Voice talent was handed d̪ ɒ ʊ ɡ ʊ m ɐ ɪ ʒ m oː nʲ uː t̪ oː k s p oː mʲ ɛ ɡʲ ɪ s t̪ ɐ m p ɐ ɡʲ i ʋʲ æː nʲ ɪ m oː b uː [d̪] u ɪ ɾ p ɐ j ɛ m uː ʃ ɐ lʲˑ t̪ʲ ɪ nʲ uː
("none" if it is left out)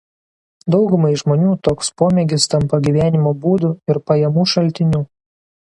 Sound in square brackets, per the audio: d̪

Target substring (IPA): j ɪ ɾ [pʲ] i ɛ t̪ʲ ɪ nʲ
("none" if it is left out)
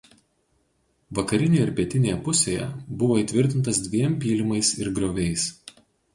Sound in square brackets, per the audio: pʲ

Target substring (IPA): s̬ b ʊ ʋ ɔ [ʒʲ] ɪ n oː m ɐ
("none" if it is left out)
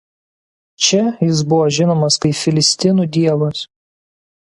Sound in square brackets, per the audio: ʒʲ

